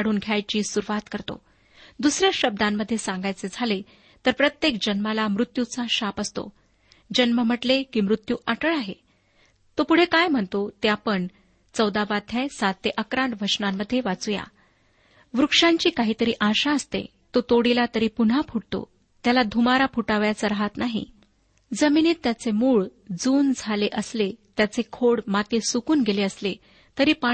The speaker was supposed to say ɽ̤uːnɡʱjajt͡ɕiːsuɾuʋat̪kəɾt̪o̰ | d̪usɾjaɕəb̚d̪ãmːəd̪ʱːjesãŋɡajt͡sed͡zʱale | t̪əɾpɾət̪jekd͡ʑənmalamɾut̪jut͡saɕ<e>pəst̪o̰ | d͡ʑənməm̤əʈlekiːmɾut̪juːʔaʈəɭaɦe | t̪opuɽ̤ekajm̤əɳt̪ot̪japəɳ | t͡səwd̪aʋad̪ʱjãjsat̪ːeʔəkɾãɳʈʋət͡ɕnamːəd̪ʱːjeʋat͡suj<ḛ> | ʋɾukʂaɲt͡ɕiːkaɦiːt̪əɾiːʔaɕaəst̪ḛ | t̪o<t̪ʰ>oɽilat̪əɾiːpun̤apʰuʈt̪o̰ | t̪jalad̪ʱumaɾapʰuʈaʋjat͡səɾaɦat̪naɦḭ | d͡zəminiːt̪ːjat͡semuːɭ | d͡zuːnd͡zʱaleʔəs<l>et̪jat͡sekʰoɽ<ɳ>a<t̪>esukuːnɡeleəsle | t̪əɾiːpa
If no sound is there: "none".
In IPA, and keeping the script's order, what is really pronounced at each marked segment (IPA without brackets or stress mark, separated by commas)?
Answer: a, a̰, t̪, l, m, t̪